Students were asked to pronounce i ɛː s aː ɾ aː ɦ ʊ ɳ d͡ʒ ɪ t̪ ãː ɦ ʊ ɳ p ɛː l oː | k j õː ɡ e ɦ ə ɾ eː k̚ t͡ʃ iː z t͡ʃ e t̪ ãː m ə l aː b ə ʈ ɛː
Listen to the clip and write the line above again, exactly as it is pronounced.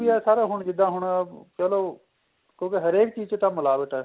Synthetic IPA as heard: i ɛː s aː ɾ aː ɦ ʊ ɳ d͡ʒ ɪ d̪ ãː ɦ ʊ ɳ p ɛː l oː | k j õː k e ɦ ə ɾ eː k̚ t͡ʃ iː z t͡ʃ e t̪ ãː m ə l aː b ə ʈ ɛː